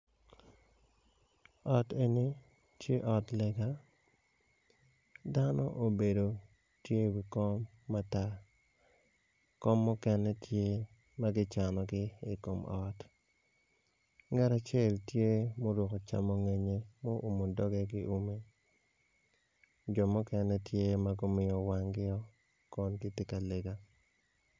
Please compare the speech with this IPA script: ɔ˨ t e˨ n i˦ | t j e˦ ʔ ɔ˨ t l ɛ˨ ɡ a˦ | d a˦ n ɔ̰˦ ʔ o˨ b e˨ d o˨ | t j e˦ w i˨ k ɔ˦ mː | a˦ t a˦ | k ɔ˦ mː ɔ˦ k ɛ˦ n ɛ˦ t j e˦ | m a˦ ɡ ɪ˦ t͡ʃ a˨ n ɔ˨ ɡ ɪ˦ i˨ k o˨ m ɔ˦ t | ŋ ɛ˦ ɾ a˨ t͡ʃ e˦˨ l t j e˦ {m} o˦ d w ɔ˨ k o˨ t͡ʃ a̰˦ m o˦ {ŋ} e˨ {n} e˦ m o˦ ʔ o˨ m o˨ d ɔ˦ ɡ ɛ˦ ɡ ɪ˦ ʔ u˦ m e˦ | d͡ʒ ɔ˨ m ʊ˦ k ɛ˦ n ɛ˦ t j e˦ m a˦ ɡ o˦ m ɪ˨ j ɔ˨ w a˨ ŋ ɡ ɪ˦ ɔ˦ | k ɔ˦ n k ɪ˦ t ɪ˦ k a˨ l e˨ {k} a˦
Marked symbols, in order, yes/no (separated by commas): yes, yes, no, no